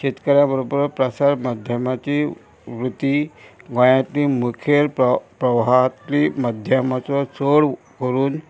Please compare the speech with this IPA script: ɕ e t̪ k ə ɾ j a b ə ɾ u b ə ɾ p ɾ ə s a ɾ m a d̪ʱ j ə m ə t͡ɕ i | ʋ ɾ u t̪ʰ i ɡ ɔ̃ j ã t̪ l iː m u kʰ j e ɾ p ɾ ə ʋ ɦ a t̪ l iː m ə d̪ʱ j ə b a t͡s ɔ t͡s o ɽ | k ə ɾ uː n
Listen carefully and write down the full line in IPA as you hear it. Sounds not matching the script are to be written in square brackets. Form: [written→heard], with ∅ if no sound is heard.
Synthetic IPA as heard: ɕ e t̪ k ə ɾ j a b ə ɾ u b ə ɾ p ɾ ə s a ɾ m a d̪ʱ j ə m [ə→a] t͡ɕ i | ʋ ɾ u [t̪ʰ→t̪] i ɡ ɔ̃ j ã t̪ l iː m u kʰ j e ɾ p ɾ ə ʋ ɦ a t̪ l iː m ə d̪ʱ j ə [b→m] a t͡s ɔ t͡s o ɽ | k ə ɾ uː n